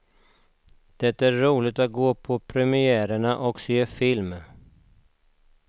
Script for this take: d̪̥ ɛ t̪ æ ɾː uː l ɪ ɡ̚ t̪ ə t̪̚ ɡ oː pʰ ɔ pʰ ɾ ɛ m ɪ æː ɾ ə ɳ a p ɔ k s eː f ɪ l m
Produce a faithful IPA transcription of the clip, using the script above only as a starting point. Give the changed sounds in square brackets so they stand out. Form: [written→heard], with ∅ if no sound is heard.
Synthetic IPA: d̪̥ ɛ t̪ æ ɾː uː l ɪ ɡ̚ t̪ [ə→a] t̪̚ ɡ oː pʰ ɔ pʰ ɾ ɛ m ɪ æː ɾ ə ɳ a [p→ʔ] ɔ k s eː f ɪ l m